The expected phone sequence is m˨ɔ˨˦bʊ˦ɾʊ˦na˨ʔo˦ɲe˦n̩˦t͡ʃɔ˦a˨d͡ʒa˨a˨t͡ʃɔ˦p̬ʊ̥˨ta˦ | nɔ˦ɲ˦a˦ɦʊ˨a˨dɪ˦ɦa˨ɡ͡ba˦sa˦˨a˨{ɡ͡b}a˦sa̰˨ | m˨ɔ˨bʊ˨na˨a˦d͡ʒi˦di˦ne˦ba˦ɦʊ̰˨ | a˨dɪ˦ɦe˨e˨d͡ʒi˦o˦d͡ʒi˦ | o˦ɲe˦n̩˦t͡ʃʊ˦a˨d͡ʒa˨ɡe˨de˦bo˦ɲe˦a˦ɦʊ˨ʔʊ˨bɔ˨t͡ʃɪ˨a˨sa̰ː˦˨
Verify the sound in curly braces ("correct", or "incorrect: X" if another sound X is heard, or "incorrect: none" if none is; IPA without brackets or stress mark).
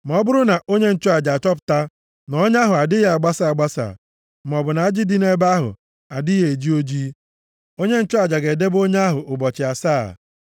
correct